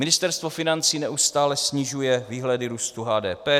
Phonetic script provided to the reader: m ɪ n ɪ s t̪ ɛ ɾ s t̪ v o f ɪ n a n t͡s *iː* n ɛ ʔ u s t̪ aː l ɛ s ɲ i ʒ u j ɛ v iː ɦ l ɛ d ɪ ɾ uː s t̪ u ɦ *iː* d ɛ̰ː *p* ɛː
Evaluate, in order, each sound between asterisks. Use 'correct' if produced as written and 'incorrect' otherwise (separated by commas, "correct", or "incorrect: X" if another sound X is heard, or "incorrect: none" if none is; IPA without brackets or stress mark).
correct, incorrect: aː, correct